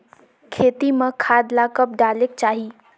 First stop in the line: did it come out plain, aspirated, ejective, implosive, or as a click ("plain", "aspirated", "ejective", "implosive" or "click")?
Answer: aspirated